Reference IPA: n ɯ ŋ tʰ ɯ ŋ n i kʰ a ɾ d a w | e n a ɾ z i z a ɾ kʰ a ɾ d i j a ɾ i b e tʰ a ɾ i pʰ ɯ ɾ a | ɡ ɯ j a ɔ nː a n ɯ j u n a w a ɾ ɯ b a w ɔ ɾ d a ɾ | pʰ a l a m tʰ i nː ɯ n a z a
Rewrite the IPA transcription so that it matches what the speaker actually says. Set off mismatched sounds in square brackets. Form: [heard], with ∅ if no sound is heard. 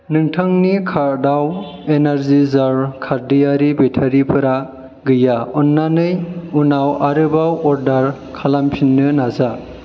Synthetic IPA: n ɯ ŋ tʰ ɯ ŋ n i kʰ a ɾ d a w | e n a ɾ z i z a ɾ kʰ a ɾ d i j a ɾ i b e tʰ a ɾ i pʰ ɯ ɾ a | ɡ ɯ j a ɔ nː a n ɯ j u n a w a ɾ ɯ b a w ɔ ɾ d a ɾ | [kʰ] a l a m [pʰ] i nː ɯ n a z a